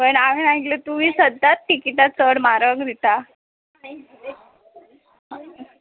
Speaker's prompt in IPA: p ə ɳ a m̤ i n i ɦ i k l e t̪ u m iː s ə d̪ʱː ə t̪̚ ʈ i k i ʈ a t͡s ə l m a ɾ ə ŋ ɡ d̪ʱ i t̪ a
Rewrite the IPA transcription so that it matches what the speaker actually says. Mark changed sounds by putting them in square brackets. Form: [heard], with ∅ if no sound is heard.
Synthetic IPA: p ə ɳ a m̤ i n [a] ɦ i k l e t̪ u m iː s ə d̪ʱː [a] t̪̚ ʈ i k i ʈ a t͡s ə [ɽ] m a ɾ ə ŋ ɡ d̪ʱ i t̪ a